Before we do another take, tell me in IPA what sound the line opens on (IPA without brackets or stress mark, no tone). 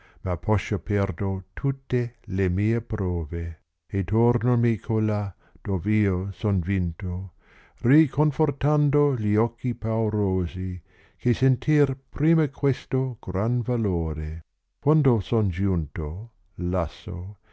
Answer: m